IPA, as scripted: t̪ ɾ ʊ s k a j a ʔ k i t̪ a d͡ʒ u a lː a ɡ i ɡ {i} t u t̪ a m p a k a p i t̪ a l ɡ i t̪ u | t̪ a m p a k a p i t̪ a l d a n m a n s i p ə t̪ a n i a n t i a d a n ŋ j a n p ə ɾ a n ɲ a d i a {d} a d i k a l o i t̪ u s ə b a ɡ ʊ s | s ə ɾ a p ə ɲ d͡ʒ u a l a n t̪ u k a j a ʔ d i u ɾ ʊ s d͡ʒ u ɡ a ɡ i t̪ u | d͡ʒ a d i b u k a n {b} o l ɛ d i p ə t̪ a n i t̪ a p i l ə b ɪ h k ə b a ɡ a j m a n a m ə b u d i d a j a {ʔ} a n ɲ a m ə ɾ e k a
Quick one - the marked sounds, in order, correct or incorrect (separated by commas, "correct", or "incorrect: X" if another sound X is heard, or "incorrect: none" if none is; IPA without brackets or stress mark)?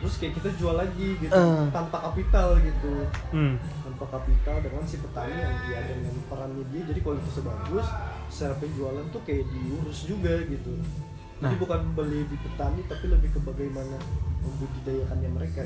correct, incorrect: d͡ʒ, correct, incorrect: k